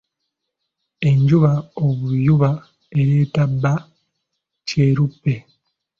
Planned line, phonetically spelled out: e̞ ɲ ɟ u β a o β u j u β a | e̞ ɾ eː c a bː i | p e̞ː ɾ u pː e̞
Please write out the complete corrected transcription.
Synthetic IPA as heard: e̞ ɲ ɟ u β a o β u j u β a | e̞ ɾ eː t a bː a | c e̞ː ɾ u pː e̞